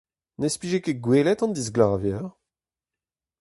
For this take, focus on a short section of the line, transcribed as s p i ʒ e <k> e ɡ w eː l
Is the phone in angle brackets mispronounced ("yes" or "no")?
no